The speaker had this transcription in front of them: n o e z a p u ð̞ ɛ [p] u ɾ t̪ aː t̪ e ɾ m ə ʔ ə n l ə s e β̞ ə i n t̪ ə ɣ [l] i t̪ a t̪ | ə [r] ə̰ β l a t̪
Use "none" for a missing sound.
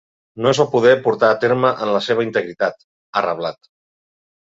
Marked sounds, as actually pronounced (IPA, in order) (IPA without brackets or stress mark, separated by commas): p, ɾ, r